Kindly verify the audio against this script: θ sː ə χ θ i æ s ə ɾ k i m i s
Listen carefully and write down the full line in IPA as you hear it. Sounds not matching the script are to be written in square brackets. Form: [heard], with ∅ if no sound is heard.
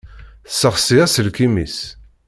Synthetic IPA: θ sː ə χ [s] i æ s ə [l] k i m i s